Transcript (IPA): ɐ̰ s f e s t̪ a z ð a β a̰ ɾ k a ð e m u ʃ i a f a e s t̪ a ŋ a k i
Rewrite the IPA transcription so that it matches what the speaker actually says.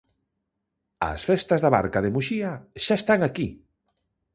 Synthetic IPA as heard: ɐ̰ s f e s t̪ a z ð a β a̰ ɾ k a ð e m u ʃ i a ʃ a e s t̪ a ŋ a k i

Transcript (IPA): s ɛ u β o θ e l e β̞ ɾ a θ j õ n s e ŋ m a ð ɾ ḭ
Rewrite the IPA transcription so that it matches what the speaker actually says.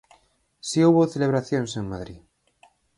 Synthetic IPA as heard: s i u β o θ e l e β̞ ɾ a θ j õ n s e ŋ m a ð ɾ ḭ

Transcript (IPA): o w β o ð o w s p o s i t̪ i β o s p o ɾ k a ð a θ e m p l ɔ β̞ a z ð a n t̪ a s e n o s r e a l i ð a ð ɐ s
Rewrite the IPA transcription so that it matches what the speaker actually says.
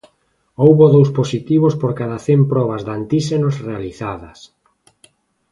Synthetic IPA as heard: o w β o ð o w s p o s i t̪ i β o s p o ɾ k a ð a θ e m p ɾ ɔ β̞ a z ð a n t̪ i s e n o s r e a l i θ a ð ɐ s

